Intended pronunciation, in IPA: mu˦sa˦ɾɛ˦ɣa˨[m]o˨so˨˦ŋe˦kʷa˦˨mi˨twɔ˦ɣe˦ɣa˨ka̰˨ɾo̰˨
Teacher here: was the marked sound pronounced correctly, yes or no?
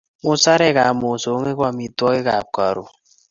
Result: yes